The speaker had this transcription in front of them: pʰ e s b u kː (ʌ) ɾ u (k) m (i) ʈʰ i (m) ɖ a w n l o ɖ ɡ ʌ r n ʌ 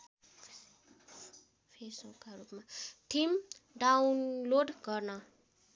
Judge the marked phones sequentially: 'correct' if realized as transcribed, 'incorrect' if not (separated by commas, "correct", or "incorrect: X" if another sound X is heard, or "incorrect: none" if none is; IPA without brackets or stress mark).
incorrect: a, incorrect: p, incorrect: a, correct